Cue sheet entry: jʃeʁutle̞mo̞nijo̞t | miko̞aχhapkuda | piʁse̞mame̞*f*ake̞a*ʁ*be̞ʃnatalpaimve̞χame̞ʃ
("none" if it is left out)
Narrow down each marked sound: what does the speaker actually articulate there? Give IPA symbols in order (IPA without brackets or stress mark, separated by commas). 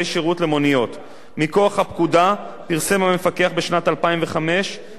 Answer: f, χ